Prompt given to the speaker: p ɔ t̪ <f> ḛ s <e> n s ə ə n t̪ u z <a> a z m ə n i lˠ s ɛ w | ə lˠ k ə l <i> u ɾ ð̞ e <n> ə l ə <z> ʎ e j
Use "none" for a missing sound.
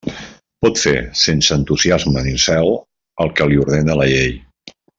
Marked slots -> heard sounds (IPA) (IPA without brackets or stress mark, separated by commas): f, e, i, i, n, none